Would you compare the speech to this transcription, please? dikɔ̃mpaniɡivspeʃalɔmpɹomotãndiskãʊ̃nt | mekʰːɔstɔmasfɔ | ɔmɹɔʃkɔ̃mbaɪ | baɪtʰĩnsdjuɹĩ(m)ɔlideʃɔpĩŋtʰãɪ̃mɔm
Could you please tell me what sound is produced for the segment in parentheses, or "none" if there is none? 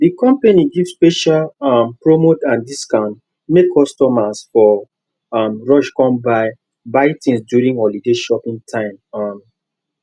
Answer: ŋ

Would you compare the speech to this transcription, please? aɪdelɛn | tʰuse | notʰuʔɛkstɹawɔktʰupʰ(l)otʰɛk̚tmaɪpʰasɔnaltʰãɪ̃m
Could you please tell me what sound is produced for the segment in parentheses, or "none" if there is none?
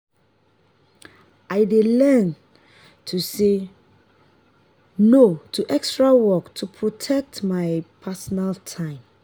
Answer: ɹ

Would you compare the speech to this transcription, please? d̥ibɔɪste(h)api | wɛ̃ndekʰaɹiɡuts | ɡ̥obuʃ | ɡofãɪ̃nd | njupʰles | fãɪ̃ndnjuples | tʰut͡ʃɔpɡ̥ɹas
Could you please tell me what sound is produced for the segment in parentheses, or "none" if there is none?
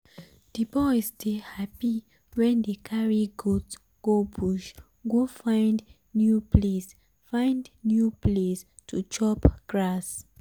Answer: h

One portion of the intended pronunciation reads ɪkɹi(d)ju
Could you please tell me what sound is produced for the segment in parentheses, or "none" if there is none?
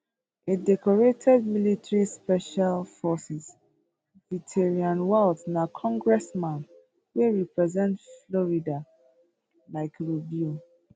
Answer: b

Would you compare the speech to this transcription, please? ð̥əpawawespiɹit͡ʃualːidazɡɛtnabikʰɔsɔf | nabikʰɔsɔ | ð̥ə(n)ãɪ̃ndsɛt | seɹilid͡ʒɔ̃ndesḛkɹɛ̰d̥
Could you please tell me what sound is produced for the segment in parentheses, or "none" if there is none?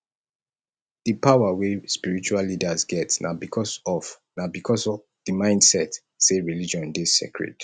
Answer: m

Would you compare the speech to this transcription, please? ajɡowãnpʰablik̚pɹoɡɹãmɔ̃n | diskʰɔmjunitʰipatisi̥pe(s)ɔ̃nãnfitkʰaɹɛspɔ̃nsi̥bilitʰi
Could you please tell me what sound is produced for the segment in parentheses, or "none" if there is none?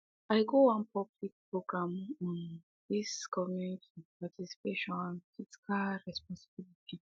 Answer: ʃ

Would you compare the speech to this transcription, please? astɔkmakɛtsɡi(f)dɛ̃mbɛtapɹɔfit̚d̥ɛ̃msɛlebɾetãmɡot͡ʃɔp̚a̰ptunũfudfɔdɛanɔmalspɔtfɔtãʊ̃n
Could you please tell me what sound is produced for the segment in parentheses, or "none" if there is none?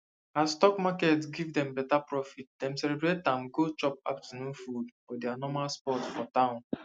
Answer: v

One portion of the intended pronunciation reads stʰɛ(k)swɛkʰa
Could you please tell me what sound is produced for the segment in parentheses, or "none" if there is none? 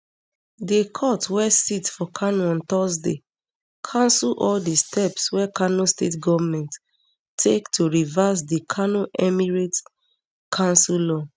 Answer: p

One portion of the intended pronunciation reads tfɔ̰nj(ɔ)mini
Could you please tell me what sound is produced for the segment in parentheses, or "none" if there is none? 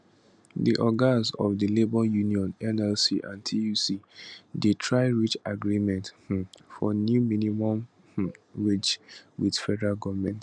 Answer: u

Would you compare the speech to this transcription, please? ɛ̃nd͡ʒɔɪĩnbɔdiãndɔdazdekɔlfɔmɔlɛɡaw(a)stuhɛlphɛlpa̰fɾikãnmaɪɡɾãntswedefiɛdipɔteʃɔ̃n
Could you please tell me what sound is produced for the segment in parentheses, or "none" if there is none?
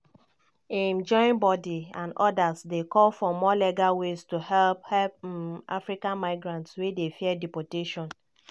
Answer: e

